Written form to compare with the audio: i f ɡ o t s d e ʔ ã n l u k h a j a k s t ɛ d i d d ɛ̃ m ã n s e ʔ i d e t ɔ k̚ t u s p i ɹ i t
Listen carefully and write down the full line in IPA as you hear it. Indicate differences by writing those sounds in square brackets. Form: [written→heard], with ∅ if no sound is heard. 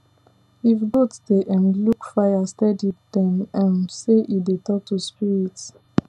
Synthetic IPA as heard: i f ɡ o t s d e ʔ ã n l u k [h→f] a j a [k→∅] s t ɛ d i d d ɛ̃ m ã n s e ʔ i d e t ɔ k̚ t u s p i ɹ i t